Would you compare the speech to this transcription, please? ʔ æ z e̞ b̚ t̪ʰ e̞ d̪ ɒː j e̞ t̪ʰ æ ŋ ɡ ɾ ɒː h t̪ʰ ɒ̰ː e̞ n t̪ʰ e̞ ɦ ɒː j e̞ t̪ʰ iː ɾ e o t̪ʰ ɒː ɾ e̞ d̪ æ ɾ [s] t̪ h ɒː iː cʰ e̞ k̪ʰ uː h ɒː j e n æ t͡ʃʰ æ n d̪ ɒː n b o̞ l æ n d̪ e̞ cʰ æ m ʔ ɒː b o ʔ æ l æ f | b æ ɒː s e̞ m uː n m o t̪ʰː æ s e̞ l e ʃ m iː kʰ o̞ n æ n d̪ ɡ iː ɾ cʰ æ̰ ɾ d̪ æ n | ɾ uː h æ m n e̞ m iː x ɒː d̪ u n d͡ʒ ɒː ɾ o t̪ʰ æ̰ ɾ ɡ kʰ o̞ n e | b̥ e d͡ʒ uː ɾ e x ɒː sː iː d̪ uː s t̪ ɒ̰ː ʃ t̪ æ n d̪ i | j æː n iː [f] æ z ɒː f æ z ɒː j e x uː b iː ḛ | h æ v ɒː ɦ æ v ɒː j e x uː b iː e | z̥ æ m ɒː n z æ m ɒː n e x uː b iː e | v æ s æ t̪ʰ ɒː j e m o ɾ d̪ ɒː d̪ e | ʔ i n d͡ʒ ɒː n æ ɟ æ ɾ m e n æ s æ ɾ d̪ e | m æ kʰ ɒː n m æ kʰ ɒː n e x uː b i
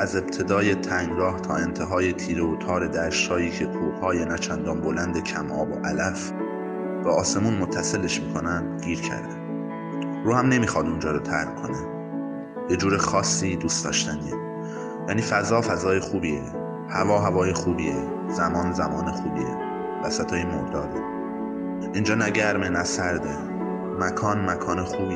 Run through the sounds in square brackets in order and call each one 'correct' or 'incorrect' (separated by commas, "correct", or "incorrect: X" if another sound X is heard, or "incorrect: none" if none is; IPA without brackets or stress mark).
incorrect: ʃ, correct